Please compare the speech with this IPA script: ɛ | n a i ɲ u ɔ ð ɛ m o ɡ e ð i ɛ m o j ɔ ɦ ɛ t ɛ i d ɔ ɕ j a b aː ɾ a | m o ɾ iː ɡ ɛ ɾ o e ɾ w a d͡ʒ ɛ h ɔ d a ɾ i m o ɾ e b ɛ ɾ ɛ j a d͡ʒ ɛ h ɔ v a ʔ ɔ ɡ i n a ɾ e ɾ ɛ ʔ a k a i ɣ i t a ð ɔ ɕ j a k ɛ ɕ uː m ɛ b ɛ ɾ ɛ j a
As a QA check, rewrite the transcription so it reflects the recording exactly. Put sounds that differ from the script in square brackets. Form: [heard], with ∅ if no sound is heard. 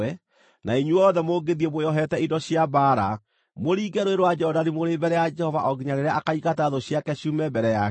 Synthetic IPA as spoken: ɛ | n a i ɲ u ɔ ð ɛ m o ɡ e ð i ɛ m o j ɔ ɦ ɛ t ɛ i d ɔ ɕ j a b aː ɾ a | m o ɾ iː ɡ ɛ ɾ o e ɾ w a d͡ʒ ɛ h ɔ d a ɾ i m o ɾ e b ɛ ɾ ɛ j a d͡ʒ ɛ h ɔ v a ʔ ɔ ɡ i [ɲ] a ɾ e ɾ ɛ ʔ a k a i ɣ [a] t a ð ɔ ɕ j a k ɛ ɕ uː m ɛ b ɛ ɾ ɛ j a